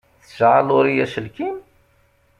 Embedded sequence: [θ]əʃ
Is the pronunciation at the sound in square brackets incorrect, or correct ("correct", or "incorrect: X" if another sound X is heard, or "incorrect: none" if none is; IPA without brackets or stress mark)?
correct